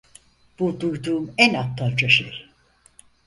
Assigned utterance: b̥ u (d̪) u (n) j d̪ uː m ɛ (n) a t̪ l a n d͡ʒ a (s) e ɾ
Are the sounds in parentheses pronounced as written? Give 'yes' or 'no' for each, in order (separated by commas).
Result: yes, no, yes, no